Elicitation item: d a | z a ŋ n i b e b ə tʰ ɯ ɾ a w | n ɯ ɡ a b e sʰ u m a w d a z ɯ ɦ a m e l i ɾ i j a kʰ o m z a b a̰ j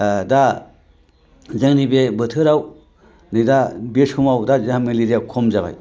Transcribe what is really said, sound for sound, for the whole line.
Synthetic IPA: d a | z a ŋ n i b e b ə tʰ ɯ ɾ a w | n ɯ d a b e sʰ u m a w d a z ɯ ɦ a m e l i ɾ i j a kʰ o m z a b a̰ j